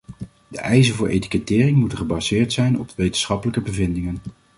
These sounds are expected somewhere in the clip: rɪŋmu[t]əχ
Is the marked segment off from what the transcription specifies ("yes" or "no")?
no